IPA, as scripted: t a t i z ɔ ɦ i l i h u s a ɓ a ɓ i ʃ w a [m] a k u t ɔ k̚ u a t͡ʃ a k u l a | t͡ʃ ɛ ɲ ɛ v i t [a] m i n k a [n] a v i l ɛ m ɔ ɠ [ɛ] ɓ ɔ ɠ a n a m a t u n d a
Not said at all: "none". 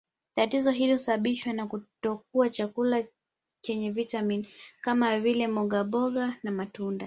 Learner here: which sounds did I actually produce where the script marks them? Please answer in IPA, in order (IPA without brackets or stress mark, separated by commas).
n, a, m, a